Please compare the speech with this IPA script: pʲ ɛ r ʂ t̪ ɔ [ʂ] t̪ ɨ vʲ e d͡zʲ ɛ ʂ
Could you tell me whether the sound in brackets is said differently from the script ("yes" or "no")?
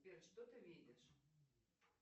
yes